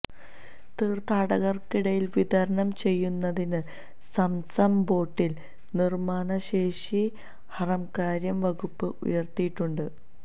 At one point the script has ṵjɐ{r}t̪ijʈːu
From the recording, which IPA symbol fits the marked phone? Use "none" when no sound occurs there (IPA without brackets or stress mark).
r